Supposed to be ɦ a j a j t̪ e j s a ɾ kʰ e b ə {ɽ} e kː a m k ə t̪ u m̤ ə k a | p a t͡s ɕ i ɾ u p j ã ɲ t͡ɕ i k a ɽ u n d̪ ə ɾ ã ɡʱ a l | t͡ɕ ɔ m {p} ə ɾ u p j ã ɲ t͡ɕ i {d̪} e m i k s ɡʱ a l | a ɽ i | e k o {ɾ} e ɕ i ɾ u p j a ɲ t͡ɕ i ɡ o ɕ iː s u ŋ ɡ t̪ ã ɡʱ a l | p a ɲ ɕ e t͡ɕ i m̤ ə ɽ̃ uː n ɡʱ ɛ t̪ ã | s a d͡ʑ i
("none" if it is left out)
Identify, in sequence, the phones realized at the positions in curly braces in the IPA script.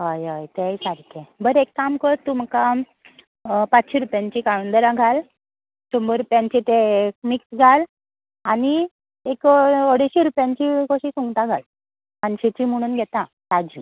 ɾ, b, t̪, ɽ

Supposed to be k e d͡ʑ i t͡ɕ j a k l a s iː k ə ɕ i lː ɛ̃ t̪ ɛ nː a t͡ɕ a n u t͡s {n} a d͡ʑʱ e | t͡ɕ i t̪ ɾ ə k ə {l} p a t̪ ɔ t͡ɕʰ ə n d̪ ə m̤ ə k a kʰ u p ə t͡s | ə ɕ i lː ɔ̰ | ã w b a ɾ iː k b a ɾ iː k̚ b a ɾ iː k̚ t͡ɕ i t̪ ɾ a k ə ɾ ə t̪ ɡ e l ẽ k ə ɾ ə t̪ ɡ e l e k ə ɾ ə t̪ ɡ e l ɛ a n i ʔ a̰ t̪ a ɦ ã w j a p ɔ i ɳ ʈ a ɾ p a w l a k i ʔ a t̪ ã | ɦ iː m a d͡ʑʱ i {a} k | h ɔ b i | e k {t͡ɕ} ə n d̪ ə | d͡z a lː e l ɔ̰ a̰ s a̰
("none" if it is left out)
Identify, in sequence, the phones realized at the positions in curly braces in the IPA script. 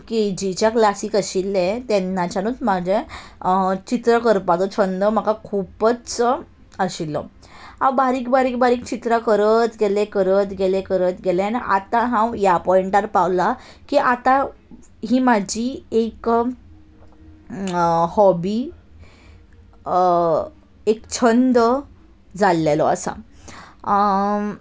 m, ɾ, e, t͡ɕʰ

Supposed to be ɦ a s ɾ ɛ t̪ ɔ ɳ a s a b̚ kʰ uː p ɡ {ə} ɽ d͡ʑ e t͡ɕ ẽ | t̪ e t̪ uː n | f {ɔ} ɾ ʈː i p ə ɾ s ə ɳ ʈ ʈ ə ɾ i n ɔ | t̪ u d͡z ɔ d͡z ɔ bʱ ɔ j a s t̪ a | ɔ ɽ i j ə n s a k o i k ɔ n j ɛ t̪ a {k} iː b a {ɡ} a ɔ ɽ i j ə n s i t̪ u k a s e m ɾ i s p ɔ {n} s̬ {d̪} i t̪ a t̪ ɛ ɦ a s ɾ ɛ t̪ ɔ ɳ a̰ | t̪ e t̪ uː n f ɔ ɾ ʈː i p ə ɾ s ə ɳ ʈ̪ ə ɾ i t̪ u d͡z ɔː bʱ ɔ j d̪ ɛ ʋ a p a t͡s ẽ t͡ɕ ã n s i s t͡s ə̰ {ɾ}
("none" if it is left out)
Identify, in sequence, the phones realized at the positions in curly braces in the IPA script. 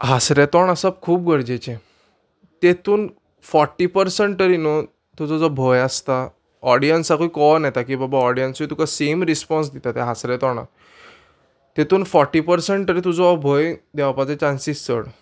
ə, ɔ, k, b, n, d̪, ɽ

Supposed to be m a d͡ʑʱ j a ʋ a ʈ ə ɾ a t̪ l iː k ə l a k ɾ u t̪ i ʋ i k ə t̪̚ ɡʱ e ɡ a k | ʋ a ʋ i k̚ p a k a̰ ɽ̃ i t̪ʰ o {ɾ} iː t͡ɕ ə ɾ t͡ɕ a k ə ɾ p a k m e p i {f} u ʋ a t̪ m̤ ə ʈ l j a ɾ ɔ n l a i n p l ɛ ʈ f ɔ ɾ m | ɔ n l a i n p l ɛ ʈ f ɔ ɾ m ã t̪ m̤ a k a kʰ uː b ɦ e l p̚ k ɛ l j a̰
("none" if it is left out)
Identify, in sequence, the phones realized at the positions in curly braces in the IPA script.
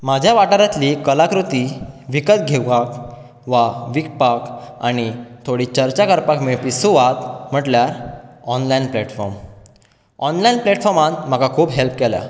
ɽ, s

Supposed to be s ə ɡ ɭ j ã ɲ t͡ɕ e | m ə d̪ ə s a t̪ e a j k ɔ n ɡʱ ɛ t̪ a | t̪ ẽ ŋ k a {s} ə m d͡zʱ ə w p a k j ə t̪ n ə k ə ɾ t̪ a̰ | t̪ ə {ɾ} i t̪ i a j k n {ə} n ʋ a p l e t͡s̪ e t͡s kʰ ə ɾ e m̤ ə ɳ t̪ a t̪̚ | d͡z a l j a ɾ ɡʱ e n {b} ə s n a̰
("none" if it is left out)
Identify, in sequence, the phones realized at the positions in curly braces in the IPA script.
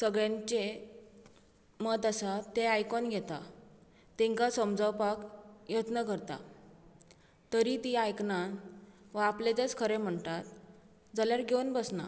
s, ɾ, a, b

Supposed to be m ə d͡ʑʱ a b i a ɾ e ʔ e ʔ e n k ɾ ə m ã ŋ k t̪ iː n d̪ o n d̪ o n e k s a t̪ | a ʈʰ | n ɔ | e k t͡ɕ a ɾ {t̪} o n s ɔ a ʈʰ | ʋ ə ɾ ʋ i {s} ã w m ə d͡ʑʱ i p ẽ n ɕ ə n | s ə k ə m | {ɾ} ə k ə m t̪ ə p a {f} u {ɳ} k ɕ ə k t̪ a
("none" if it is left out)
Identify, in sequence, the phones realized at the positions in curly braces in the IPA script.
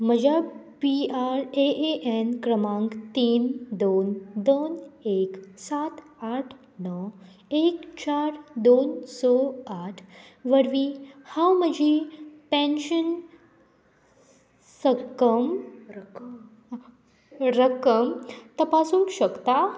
d̪, h, ɾ, s, ŋ

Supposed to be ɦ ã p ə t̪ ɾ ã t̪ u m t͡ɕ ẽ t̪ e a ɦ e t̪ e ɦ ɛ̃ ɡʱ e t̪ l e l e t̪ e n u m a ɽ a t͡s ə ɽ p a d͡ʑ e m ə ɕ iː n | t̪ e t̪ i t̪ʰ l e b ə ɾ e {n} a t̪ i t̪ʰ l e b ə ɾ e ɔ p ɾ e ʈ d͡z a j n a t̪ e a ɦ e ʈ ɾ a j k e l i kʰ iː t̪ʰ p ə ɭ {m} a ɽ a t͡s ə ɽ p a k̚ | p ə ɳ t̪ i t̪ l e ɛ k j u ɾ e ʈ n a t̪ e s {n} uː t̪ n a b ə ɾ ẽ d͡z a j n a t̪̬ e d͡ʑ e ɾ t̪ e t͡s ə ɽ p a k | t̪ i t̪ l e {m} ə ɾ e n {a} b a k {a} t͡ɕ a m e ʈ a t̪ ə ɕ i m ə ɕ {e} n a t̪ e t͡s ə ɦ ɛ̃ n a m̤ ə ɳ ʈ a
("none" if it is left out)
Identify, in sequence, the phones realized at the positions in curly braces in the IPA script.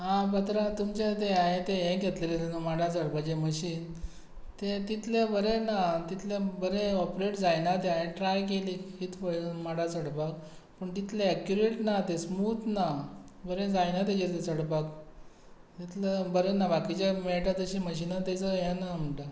n, m, m, b, a, i, i

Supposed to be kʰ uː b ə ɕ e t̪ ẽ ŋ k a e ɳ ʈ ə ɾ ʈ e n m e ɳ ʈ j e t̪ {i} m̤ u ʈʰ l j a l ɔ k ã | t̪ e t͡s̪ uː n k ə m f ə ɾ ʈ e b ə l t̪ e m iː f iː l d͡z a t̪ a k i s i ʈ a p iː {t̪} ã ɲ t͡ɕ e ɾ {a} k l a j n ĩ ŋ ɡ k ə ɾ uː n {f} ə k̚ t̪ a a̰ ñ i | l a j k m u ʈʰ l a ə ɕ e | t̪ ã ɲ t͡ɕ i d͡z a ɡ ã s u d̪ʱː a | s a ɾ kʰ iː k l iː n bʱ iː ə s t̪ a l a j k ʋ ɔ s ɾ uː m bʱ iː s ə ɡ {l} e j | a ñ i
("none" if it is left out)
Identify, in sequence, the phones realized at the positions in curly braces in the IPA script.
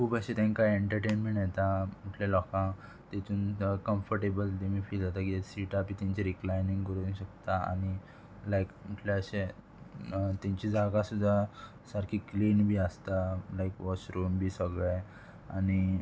a, t̪, i, ɕ, ɭ

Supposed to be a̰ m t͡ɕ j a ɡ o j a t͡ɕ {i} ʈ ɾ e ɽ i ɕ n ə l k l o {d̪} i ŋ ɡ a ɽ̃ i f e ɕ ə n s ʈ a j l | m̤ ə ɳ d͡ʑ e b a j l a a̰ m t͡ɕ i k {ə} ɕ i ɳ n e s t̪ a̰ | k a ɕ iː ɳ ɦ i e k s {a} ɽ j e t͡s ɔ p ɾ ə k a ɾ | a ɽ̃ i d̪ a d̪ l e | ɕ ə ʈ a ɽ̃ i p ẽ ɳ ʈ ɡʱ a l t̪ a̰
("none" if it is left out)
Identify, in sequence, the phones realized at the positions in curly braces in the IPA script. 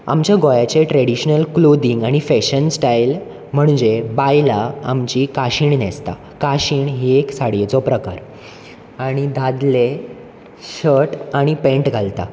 e, d̪, a, a

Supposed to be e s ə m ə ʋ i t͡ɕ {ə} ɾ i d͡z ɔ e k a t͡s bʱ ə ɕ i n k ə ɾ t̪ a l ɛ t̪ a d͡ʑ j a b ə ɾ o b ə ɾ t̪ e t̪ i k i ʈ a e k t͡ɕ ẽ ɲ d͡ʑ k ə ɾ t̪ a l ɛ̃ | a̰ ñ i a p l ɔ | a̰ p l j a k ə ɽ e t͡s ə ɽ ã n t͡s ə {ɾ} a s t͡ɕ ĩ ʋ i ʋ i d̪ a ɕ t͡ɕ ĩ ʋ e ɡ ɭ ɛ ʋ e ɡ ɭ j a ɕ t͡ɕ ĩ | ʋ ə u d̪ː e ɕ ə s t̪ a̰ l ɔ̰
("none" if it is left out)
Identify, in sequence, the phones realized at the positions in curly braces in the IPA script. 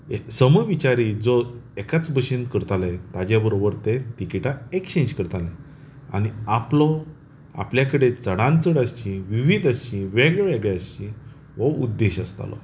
a, ɽ

